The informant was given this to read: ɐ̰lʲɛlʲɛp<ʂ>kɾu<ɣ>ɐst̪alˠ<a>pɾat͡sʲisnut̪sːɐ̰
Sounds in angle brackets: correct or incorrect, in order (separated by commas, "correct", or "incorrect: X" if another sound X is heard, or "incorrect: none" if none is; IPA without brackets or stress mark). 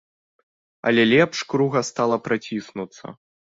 correct, correct, incorrect: ɐ